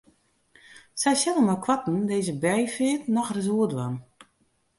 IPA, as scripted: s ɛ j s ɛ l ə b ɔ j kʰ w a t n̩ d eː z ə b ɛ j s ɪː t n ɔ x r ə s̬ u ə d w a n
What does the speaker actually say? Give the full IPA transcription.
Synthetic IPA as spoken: s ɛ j s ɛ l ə m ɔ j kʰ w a t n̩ d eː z ə b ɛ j f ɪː t n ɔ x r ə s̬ u ə d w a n